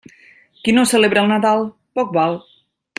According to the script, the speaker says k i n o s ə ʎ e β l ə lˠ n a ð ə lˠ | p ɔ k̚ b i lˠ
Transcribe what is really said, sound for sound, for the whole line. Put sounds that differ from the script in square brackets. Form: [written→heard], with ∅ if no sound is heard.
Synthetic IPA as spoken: k i n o s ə [ʎ→l] e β [l→ɾ] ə lˠ n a ð [ə→a] lˠ | p ɔ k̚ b [i→a] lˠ